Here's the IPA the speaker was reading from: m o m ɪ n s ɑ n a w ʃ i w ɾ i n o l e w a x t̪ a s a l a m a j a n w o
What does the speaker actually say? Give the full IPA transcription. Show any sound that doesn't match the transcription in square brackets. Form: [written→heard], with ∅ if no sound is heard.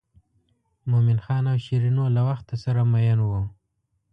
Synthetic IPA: m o m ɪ n [s→x] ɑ n a w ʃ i [w→∅] ɾ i n o l [e→a] w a x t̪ a s a [l→ɾ] a m a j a n w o